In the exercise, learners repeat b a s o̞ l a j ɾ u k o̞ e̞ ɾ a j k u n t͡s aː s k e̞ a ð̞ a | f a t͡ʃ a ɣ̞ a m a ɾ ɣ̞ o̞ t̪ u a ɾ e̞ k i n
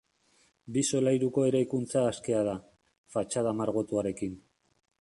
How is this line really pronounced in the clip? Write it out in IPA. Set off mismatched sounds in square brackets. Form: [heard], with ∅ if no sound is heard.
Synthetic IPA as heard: b [i] s o̞ l a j ɾ u k o̞ e̞ ɾ a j k u n t͡s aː s k e̞ a ð̞ a | f a t͡ʃ a [ð̞] a m a ɾ ɣ̞ o̞ t̪ u a ɾ e̞ k i n